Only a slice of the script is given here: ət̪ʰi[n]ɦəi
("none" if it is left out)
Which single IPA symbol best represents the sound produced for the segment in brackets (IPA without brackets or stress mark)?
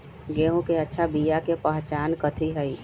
none